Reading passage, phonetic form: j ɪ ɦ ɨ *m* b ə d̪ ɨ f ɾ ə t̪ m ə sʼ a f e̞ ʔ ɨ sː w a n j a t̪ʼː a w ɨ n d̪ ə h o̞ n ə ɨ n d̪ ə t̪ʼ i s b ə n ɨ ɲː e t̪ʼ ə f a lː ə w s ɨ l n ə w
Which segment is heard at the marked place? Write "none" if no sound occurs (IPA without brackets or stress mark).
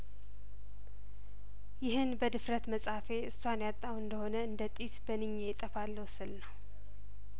n